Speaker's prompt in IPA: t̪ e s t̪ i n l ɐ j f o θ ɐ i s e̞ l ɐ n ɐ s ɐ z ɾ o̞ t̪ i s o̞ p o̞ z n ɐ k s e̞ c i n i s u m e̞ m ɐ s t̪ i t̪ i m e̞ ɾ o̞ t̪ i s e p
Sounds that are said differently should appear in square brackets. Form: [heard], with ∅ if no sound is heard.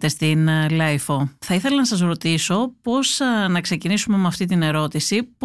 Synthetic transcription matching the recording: t̪ e s t̪ i n l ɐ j f o θ ɐ i [θ] e̞ l ɐ n ɐ s ɐ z ɾ o̞ t̪ i s o̞ p o̞ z n ɐ k s e̞ c i n i s u m e̞ m ɐ [f] t̪ i t̪ i [n] e̞ ɾ o̞ t̪ i s [i] p